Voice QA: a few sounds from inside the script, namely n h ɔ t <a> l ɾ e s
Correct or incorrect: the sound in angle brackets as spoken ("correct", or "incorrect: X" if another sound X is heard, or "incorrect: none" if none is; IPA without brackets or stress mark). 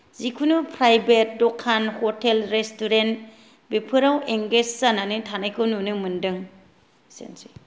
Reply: incorrect: e